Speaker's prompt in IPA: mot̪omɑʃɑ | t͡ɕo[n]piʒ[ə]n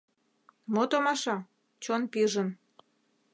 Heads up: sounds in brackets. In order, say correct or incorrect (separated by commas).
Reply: correct, correct